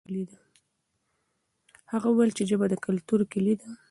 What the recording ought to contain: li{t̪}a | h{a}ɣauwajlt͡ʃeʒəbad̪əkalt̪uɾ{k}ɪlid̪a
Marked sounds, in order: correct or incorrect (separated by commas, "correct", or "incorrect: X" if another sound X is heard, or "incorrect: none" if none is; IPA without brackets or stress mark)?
incorrect: d̪, correct, correct